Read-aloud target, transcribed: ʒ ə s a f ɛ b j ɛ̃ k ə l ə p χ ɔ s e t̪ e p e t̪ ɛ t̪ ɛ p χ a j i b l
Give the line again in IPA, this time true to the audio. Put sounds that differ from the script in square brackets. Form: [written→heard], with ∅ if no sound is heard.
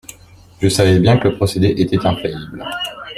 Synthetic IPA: ʒ ə s a [f→v] ɛ b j ɛ̃ k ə l ə p χ ɔ s e [t̪→d̪] e [p→ʔ] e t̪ ɛ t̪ [ɛ→ɛ̃] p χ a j i b l